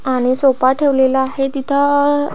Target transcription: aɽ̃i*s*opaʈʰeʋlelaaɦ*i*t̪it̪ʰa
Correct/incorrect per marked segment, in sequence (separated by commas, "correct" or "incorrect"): correct, incorrect